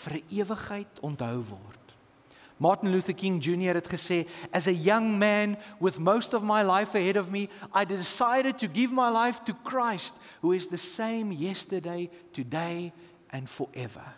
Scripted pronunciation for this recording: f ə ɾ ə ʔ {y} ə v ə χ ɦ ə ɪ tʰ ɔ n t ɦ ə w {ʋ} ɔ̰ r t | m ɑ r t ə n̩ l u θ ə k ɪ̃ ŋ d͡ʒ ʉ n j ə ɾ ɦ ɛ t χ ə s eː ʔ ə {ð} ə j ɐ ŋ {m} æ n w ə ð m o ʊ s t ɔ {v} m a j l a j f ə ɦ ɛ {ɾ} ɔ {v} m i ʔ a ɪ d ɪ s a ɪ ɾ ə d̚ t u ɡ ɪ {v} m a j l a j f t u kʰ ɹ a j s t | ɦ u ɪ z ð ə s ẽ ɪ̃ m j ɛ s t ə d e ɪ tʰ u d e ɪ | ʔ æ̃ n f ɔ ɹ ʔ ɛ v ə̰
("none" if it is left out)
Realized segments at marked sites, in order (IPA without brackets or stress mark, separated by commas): i, v, z, m, v, ɾ, v, v